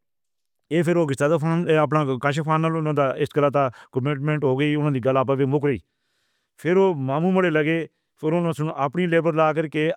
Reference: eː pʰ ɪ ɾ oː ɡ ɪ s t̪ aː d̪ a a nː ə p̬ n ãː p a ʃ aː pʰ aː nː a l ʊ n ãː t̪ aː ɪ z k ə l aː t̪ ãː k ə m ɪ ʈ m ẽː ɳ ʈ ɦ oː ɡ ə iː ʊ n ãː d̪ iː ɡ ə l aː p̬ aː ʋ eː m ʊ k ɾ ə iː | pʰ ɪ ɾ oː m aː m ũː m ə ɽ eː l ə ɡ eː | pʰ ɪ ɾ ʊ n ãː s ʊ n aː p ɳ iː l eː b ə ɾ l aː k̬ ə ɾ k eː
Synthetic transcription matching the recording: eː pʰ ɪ ɾ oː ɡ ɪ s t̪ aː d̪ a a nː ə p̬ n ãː k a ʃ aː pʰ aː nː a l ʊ n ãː d̪ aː ɪ s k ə l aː t̪ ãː k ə m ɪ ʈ m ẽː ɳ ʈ ɦ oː ɡ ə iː ʊ n ãː d̪ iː ɡ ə l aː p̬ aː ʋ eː m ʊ k ɾ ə iː | pʰ ɪ ɾ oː m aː m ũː m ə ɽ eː l ə ɡ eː | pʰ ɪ ɾ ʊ n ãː s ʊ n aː p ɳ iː l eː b ə ɾ l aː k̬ ə ɾ k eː